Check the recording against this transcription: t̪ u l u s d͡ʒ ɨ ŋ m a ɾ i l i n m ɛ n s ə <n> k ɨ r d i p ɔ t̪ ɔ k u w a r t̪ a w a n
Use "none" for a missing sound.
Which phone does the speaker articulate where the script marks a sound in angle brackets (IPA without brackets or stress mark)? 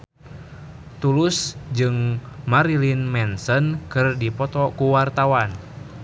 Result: n